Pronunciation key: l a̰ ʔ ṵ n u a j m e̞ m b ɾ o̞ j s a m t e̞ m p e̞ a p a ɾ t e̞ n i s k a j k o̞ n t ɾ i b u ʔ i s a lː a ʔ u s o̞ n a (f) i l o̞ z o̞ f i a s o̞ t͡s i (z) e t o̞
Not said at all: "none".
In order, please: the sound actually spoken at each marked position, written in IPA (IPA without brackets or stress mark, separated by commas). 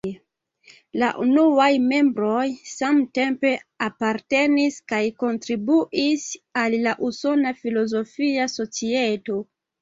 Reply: f, none